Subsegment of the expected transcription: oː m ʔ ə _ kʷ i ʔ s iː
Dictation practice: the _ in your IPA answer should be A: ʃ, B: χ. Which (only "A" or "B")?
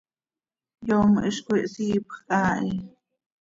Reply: A